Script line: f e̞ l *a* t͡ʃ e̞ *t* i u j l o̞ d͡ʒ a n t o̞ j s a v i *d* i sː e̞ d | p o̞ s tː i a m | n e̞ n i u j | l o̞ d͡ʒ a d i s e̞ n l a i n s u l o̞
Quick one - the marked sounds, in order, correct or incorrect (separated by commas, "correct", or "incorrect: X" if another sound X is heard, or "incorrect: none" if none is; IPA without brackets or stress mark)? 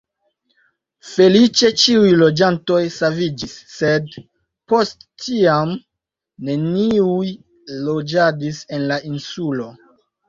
incorrect: i, incorrect: t͡ʃ, incorrect: d͡ʒ